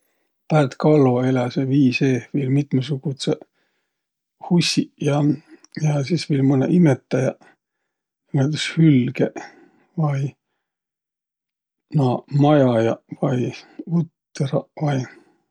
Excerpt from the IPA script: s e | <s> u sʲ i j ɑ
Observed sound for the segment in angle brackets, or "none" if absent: h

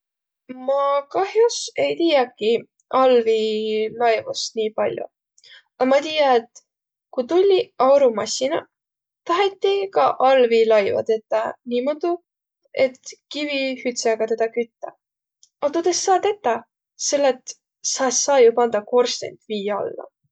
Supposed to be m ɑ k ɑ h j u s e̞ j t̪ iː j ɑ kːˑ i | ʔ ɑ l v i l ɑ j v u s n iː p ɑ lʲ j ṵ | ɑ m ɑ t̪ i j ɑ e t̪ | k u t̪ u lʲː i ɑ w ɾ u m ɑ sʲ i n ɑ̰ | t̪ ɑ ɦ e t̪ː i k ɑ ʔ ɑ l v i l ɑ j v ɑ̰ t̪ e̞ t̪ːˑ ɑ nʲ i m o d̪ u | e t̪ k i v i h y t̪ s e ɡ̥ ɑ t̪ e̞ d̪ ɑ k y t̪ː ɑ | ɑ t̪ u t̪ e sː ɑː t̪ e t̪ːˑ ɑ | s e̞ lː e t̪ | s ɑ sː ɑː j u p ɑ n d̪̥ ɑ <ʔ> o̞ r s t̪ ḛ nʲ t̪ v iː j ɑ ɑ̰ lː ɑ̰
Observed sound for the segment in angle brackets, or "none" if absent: k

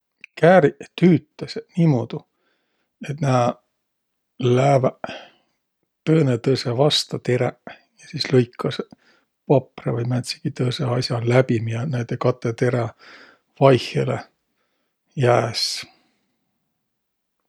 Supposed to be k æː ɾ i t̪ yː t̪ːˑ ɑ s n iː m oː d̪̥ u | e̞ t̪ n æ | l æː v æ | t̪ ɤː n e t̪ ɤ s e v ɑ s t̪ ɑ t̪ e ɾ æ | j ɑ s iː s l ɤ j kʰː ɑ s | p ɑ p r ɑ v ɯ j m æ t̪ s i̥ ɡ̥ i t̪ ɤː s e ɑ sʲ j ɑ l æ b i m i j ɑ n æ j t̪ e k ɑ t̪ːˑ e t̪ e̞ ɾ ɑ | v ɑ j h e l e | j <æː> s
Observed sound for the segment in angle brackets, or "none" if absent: æː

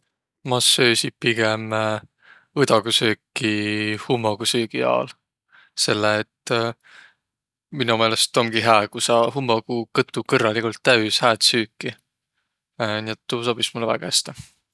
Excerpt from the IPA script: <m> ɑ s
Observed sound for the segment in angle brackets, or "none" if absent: m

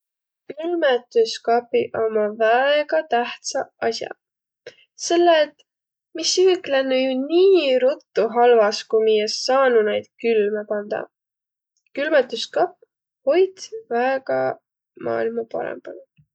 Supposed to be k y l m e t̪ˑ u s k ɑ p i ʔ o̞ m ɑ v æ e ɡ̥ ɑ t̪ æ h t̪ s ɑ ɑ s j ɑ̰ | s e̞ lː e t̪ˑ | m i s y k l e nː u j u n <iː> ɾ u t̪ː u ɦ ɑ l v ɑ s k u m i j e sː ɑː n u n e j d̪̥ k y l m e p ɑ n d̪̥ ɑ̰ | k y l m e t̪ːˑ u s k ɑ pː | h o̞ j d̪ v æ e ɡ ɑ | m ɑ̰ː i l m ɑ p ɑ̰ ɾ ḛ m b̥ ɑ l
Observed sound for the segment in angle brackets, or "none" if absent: iː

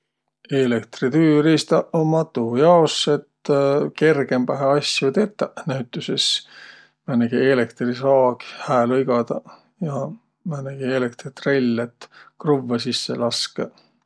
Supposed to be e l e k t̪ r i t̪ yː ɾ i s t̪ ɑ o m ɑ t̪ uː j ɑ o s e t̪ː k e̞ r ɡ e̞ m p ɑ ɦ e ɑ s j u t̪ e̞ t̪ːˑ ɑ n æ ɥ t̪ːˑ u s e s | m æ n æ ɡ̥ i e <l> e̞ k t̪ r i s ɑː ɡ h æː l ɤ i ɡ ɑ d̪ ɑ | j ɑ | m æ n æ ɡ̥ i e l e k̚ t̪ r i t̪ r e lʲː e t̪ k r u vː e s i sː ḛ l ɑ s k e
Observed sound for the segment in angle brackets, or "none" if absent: l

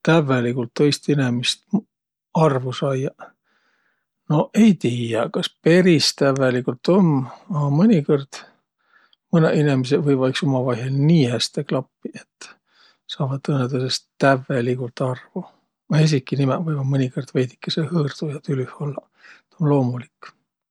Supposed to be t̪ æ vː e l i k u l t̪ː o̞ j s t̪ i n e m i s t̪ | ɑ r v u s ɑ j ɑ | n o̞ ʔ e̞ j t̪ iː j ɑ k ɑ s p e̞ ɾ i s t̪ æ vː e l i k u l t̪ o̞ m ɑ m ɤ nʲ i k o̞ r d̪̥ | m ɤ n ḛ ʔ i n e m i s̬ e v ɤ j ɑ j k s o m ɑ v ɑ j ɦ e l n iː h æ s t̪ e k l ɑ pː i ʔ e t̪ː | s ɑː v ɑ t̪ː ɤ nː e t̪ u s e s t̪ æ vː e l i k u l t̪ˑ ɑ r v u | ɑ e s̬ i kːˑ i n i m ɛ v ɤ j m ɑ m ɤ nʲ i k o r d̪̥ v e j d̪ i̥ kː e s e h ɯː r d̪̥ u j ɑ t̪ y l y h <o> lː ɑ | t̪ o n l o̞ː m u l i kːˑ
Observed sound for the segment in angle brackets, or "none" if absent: o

